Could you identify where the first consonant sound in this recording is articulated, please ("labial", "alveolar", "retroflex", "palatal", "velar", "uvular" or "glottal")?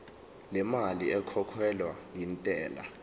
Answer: alveolar